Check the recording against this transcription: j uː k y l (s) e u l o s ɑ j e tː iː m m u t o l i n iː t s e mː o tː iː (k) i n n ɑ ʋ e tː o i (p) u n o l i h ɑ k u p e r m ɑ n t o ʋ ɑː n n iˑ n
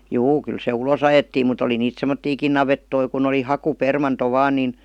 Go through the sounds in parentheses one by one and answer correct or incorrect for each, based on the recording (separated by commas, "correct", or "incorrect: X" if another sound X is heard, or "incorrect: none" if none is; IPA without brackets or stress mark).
correct, correct, incorrect: k